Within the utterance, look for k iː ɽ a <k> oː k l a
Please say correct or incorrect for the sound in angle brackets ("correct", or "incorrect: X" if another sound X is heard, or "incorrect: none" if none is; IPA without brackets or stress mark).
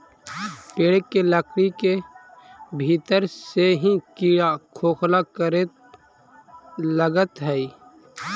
incorrect: kʰ